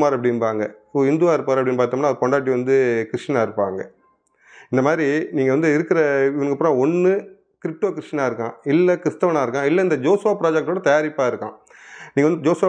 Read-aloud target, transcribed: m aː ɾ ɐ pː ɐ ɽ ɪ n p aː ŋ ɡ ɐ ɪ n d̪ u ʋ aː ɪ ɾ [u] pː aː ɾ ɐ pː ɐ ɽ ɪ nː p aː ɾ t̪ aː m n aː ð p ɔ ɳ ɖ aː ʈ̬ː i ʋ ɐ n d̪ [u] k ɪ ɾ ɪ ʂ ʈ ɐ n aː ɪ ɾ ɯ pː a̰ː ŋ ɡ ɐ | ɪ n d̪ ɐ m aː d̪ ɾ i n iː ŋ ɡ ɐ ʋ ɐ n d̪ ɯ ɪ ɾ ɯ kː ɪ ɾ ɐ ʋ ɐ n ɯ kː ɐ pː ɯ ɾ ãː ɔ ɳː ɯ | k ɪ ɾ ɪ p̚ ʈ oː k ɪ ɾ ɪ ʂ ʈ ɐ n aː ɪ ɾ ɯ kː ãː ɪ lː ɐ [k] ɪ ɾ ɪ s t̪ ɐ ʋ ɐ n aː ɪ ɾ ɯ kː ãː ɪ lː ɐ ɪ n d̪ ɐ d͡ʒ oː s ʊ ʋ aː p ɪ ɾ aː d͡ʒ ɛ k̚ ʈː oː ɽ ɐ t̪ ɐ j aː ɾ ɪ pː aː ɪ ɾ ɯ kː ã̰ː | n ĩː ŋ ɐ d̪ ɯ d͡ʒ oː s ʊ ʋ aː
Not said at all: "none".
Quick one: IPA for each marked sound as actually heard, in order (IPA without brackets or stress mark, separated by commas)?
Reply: ɯ, ɯ, k